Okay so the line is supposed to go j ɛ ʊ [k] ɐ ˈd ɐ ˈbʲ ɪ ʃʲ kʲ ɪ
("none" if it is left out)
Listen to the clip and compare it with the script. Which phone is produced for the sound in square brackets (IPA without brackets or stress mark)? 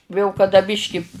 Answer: k